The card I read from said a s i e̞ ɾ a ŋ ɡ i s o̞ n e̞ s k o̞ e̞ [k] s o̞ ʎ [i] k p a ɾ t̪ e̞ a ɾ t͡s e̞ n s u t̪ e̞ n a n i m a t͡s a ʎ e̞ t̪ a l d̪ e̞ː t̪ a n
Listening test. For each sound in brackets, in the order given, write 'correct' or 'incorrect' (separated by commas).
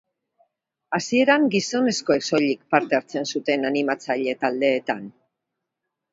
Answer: correct, correct